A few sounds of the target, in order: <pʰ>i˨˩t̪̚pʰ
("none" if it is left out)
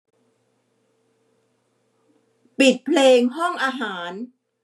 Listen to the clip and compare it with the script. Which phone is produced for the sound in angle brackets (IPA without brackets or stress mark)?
p